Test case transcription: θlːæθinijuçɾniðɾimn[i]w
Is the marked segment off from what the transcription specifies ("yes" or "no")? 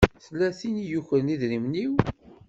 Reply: no